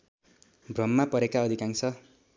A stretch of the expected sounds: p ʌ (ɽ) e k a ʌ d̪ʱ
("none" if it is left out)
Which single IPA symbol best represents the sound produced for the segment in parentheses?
ɾ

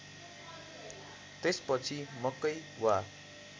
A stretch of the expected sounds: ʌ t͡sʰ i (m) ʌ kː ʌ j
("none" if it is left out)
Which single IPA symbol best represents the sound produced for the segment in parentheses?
m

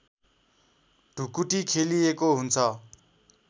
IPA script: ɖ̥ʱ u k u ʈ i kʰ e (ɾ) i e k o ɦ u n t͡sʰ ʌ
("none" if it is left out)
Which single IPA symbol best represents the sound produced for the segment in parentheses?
l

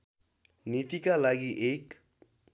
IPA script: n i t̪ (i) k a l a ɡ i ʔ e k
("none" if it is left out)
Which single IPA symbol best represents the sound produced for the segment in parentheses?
i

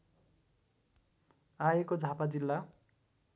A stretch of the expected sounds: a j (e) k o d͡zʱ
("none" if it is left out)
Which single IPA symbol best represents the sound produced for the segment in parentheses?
e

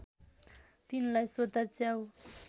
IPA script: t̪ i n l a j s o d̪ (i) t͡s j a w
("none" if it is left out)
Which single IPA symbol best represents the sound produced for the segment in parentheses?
a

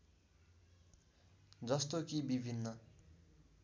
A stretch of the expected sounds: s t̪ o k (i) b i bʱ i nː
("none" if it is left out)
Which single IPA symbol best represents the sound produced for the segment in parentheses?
i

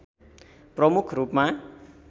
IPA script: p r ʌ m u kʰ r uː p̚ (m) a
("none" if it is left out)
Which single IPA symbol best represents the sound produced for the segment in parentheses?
m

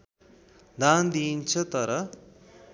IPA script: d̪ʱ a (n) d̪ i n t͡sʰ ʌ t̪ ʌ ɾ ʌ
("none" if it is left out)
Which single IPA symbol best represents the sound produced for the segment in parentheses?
n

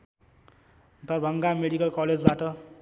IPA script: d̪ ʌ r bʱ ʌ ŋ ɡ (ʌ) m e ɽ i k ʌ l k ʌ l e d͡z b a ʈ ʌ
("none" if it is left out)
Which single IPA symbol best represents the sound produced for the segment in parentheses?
a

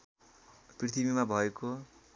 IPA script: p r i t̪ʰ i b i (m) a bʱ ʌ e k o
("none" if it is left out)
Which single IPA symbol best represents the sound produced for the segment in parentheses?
m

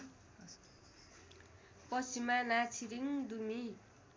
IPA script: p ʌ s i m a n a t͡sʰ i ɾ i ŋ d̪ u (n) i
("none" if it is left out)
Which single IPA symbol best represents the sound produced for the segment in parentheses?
m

